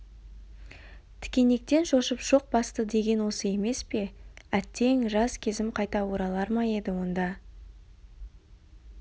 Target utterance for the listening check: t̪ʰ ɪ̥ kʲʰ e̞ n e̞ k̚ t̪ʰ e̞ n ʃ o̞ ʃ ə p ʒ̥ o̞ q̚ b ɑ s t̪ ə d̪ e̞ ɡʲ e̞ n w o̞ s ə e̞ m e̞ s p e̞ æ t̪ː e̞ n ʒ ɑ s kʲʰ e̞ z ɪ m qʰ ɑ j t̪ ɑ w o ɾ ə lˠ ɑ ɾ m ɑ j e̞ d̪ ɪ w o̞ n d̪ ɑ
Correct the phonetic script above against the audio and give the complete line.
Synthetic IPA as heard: t̪ʰ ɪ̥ kʲ e̞ n e̞ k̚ t̪ e̞ n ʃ o̞ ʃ ə p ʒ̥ o̞ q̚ b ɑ s t̪ ə d̪ e̞ ɡʲ e̞ n w o̞ s ə e̞ m e̞ s p e̞ æ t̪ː e̞ ŋ ʒ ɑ s kʲʰ e̞ z ɪ m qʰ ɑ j t̪ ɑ w o ɾ ɑ lˠ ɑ ɾ m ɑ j e̞ d̪ ɪ w o̞ n d̪ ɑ